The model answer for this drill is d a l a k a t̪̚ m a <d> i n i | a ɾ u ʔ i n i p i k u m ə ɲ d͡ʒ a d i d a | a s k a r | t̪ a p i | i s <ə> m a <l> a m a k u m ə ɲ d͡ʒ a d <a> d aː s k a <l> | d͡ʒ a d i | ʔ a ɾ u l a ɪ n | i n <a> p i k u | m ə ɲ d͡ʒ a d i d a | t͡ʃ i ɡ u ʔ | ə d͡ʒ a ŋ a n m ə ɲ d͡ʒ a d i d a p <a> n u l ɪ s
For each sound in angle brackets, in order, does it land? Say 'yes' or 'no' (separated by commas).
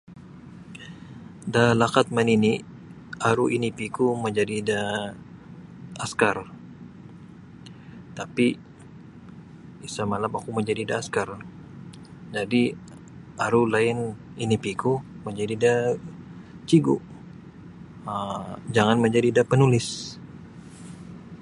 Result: no, no, yes, no, no, no, no